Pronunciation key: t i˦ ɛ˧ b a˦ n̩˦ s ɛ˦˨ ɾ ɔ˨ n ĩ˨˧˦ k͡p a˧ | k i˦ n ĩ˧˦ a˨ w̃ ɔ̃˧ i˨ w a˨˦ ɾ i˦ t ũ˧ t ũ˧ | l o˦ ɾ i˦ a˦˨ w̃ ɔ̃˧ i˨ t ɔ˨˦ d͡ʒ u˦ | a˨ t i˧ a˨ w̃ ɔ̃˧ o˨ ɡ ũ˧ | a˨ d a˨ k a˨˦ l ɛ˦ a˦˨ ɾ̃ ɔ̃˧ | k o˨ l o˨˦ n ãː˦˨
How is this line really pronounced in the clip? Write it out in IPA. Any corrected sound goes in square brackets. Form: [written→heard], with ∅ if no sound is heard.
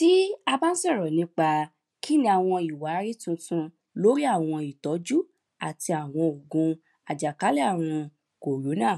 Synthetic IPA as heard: t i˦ [ɛ˧→a˧] b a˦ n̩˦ s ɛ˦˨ ɾ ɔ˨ n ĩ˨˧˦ k͡p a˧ | k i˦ n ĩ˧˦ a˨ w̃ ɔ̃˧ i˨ w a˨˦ ɾ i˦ t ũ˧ t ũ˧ | l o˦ ɾ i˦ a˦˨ w̃ ɔ̃˧ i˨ t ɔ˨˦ d͡ʒ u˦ | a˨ t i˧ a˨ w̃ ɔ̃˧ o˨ ɡ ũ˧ | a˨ [d→d͡ʒ] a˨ k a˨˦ l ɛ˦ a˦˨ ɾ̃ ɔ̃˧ | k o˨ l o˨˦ n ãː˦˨